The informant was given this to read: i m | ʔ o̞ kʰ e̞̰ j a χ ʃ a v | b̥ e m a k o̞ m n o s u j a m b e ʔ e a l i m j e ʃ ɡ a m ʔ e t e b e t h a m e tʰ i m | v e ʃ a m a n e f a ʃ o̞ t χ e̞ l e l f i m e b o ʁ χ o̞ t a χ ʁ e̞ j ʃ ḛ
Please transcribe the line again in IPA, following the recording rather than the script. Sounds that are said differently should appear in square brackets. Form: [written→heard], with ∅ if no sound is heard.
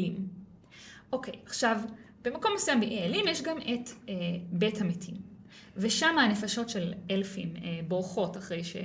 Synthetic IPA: i m | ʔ o̞ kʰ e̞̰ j a χ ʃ a v | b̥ e m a k o̞ m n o s u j a m b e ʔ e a l i m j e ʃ ɡ a m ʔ e t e b e t h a m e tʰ i m | v e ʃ a m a n e f a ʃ o̞ t [χ→ʃ] e̞ l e l f i m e b o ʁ χ o̞ t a χ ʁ e̞ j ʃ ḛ